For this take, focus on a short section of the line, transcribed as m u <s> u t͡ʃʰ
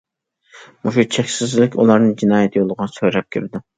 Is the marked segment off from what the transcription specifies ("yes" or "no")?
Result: yes